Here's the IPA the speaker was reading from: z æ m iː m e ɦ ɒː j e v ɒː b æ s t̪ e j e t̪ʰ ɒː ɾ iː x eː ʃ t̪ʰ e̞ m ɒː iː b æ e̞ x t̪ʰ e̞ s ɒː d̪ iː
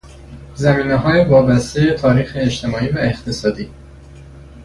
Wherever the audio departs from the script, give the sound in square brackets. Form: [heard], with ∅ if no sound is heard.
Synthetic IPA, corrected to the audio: z æ m iː [n] e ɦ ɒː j e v ɒː b æ s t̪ e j e t̪ʰ ɒː ɾ iː x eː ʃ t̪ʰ e̞ m ɒː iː [v] æ e̞ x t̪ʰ e̞ s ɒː d̪ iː

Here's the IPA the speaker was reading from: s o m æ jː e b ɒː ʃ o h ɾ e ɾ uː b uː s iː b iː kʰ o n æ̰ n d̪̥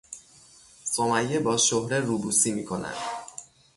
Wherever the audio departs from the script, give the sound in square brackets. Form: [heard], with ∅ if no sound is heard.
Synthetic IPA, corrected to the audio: s o m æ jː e b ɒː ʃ o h ɾ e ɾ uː b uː s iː [m] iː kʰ o n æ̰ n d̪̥

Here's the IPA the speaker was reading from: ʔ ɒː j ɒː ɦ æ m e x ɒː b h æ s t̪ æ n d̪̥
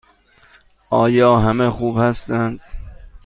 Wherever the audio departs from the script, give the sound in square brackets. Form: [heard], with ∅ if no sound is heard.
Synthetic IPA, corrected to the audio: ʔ ɒː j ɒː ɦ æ m e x [uː] b h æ s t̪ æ n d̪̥

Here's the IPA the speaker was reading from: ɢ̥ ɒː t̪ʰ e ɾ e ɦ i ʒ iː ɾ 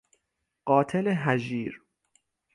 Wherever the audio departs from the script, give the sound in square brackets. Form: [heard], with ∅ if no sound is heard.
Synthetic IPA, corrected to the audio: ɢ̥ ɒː t̪ʰ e [l] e ɦ [æ] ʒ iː ɾ

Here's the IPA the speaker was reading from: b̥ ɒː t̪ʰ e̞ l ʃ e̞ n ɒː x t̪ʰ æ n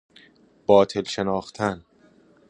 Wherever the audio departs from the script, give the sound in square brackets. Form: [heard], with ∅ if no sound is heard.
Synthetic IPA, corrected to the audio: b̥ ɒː t̪ʰ e̞ l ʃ e̞ n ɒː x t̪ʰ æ n

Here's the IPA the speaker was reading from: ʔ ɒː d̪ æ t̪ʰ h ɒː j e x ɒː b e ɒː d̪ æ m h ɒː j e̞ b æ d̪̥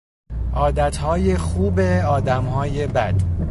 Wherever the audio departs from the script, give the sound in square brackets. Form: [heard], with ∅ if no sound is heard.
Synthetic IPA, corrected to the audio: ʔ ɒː d̪ æ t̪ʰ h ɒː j e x [uː] b e ɒː d̪ æ m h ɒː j e̞ b æ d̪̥

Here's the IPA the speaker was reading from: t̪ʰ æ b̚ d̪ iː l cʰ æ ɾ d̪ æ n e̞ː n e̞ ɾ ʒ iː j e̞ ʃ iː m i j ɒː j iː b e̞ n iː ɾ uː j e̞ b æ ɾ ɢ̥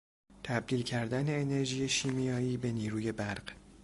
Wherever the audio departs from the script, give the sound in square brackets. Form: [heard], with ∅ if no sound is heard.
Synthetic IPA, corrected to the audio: t̪ʰ æ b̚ d̪ iː l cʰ æ ɾ d̪ æ n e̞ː n e̞ ɾ ʒ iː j e̞ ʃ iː m i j ɒː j iː b e̞ n iː ɾ uː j e̞ b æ ɾ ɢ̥

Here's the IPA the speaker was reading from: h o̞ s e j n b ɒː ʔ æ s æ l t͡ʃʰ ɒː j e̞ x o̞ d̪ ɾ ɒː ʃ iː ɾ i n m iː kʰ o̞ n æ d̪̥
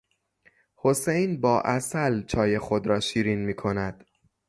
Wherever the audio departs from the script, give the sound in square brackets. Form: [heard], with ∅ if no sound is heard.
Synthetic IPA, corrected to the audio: h o̞ s e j n b ɒː ʔ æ s æ l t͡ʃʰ ɒː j e̞ x o̞ d̪ ɾ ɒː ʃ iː ɾ i n m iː kʰ o̞ n æ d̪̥

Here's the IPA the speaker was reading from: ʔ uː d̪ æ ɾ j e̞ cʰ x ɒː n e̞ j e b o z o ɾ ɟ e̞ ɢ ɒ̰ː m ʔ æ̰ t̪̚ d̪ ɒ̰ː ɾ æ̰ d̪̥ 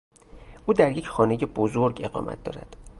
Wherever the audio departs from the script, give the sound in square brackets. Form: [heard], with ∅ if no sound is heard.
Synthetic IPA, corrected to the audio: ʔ uː d̪ æ ɾ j e̞ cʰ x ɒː n e̞ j e b o z o ɾ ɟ e̞ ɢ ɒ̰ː m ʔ æ̰ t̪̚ d̪ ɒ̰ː ɾ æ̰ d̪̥

